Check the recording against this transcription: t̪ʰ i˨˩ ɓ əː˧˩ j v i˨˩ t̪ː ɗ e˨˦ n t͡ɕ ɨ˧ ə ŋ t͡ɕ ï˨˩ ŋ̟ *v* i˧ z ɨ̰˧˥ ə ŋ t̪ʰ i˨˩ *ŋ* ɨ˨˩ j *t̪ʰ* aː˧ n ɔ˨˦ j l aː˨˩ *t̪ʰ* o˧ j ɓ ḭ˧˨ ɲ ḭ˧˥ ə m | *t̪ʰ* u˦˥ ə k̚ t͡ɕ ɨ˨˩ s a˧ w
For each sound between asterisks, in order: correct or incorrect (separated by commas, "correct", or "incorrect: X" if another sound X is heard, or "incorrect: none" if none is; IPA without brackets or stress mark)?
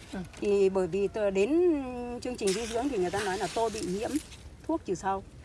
incorrect: z, correct, incorrect: t̪, incorrect: t̪, correct